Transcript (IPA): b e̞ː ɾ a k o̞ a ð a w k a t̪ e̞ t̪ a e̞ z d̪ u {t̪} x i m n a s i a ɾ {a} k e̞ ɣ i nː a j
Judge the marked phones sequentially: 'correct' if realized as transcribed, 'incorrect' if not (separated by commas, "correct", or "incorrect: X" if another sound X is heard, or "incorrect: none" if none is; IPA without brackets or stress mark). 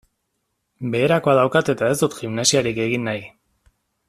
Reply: correct, incorrect: i